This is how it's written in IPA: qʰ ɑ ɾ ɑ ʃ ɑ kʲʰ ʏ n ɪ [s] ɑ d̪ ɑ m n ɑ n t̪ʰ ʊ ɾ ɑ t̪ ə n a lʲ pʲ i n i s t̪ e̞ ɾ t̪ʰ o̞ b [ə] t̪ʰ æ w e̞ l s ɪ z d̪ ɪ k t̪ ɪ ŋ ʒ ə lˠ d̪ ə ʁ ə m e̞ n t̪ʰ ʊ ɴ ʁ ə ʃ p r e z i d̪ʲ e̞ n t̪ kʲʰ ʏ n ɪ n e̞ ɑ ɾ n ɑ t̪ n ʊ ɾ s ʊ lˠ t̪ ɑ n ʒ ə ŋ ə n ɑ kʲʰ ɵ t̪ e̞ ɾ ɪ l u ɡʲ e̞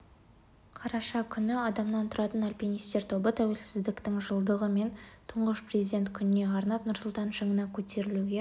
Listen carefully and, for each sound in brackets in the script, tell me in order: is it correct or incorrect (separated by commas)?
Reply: incorrect, correct